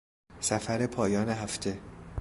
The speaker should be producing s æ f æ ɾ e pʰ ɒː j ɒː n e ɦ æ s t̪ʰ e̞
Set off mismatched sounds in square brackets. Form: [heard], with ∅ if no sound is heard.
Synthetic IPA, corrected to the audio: s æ f æ ɾ e pʰ ɒː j ɒː n e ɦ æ [f] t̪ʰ e̞